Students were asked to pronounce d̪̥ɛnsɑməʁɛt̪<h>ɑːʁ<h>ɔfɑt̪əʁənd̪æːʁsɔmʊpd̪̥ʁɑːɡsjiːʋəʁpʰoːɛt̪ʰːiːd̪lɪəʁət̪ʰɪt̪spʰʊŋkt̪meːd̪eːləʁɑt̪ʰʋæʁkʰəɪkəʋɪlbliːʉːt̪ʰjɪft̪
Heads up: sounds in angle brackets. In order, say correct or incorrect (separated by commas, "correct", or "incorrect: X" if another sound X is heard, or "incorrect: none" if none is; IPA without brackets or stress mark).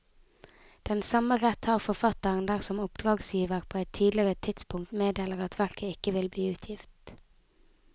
correct, incorrect: f